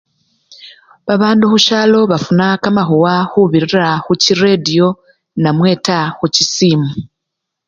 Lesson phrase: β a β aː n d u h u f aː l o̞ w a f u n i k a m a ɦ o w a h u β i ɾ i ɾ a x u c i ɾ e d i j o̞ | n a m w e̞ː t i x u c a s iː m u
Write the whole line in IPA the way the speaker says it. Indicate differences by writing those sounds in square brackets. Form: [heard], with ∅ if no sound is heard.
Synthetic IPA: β a β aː n d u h u [ʃ] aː l o̞ [β] a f u n [a] k a m a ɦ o w a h u β i ɾ i ɾ a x u c i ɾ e d i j o̞ | n a m w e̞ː t [a] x u c [i] s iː m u